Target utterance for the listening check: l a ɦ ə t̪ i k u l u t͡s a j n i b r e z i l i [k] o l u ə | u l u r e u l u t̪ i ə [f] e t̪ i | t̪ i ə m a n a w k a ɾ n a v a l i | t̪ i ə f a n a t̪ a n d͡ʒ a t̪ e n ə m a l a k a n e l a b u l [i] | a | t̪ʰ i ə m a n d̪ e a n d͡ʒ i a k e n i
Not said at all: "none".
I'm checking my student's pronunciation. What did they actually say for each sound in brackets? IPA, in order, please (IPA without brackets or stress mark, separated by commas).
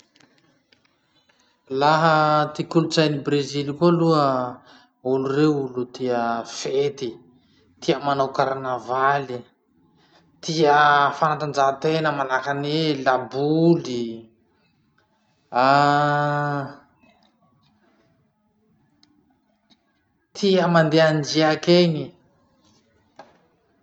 k, f, i